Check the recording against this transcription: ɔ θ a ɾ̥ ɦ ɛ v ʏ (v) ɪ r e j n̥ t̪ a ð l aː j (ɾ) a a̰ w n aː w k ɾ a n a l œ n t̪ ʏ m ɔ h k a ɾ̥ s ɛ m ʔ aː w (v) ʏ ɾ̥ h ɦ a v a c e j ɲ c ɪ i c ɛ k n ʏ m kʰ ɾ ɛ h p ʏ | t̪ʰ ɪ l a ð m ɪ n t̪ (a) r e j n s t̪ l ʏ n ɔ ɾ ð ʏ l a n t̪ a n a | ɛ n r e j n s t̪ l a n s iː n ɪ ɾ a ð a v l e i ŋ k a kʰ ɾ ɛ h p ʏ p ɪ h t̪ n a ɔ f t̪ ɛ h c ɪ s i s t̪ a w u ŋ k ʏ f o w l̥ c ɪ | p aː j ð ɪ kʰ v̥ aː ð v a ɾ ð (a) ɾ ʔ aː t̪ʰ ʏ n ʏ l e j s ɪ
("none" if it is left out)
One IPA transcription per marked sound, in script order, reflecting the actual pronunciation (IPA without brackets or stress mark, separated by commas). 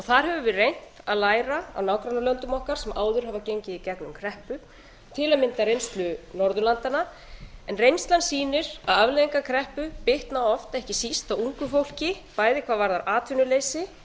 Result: v, ɾ, ð, a, a